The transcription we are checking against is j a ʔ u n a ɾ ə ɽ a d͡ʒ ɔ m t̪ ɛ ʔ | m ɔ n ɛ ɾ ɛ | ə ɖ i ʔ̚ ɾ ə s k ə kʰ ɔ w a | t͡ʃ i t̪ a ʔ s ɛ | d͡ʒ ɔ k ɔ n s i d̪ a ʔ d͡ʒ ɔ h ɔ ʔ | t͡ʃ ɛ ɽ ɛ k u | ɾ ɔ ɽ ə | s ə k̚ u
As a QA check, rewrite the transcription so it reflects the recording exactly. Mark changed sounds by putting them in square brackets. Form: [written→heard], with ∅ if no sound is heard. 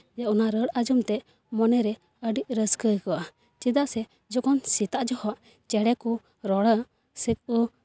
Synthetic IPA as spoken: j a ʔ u n a ɾ ə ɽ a d͡ʒ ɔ m t̪ ɛ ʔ | m ɔ n ɛ ɾ ɛ | ə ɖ i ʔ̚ ɾ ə s k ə [kʰ→k] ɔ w a | t͡ʃ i [t̪→d̪] a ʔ s ɛ | d͡ʒ ɔ k ɔ n s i [d̪→t̪] a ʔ d͡ʒ ɔ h ɔ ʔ | t͡ʃ ɛ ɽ ɛ k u | ɾ ɔ ɽ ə | s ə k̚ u